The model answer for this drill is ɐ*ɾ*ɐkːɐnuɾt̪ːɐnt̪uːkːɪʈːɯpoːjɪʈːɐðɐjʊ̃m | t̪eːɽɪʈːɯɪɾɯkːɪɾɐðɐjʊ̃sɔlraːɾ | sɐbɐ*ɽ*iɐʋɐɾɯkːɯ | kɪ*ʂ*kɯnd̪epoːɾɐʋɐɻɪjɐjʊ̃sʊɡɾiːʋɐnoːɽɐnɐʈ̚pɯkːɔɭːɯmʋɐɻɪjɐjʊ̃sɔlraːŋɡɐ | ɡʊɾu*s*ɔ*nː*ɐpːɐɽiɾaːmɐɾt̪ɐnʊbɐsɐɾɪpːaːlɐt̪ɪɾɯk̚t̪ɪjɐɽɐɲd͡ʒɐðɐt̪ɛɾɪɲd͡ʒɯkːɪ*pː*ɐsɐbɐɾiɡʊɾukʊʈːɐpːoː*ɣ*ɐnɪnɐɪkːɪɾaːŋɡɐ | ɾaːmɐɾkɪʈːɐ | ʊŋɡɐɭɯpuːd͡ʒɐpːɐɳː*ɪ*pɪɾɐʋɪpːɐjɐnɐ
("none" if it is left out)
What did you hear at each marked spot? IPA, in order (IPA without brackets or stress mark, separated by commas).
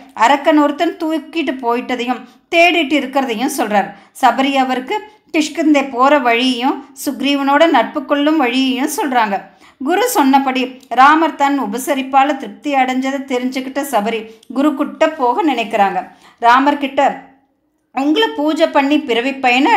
ɾ, ɾ, ʂ, s, nː, ʈː, ɣ, i